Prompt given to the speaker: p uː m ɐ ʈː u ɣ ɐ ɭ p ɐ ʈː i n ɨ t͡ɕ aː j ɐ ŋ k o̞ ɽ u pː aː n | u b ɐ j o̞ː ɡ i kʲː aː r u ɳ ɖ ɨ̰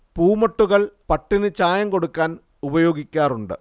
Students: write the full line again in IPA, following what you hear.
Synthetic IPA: p uː m ɐ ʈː u ɣ ɐ ɭ p ɐ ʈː i n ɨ t͡ɕ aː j ɐ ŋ k o̞ ɽ u kː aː n | u b ɐ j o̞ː ɡ i kʲː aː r u ɳ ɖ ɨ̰